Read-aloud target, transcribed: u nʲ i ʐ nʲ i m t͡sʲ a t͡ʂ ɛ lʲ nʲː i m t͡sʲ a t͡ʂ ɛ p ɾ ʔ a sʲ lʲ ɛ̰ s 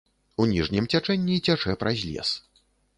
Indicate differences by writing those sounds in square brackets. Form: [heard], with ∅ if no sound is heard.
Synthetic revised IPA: u nʲ i ʐ nʲ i m t͡sʲ a t͡ʂ ɛ [∅] nʲː i [∅] t͡sʲ a t͡ʂ ɛ p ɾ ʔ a [zʲ] lʲ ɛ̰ s